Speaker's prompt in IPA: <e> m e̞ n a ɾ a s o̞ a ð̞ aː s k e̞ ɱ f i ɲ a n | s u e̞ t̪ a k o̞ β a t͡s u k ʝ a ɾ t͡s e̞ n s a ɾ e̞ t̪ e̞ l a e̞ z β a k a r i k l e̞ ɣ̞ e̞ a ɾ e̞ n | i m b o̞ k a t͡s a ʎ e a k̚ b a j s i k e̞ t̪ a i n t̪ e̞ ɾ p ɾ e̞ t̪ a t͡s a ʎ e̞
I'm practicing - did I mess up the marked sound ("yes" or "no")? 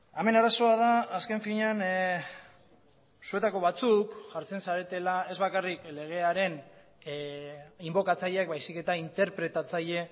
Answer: yes